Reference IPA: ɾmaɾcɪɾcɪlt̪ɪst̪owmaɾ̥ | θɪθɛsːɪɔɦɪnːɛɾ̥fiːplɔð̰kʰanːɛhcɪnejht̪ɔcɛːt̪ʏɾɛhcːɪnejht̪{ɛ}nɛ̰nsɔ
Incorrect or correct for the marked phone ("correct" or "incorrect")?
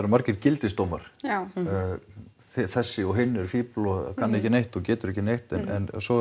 correct